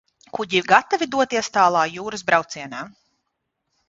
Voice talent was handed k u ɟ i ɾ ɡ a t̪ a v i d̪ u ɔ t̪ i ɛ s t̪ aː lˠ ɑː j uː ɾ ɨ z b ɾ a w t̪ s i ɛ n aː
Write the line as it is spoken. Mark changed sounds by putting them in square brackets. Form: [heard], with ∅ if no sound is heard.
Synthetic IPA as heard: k u ɟ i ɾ ɡ a t̪ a v i d̪ u ɔ t̪ i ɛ s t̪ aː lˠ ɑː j uː ɾ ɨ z b ɾ a w t̪ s i ɛ n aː